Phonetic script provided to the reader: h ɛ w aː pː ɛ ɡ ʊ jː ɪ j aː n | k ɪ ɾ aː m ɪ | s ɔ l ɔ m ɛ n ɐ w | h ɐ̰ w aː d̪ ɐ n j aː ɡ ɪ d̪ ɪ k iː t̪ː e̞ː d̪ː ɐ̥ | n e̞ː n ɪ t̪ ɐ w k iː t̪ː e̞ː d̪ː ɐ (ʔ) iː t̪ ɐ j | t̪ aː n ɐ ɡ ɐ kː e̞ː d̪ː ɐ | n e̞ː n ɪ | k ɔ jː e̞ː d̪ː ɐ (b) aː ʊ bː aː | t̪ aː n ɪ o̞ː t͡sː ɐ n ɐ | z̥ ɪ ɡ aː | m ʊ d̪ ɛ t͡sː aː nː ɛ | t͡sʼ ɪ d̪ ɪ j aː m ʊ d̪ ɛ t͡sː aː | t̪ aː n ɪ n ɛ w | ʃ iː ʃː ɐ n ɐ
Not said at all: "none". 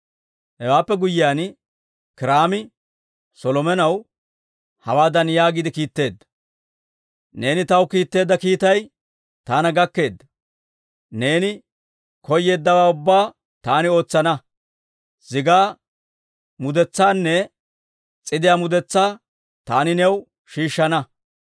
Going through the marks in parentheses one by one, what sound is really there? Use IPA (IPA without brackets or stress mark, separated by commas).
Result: k, w